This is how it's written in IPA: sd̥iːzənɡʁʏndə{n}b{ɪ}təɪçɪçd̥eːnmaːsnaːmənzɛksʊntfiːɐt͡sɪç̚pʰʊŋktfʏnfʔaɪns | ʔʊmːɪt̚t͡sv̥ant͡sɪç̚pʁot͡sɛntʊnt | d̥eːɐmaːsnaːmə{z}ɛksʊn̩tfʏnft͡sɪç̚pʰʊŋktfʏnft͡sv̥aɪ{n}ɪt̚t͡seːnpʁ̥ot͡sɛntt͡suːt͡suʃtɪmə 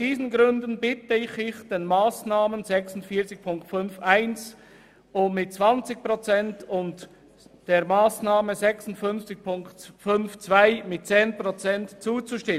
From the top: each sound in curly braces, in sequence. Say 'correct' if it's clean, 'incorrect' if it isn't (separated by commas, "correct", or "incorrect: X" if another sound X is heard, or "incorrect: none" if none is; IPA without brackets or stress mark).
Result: correct, correct, correct, incorrect: m